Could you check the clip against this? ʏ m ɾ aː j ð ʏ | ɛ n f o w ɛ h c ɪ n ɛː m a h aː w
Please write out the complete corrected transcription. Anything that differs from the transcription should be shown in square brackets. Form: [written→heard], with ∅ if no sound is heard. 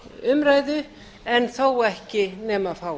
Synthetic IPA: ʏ m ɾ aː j ð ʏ | ɛ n [f→θ] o w ɛ h c ɪ n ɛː m a [h→f] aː w